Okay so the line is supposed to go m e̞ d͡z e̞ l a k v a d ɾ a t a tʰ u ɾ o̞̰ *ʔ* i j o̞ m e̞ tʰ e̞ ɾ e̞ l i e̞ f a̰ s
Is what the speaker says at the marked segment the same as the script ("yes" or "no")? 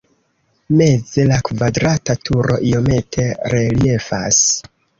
yes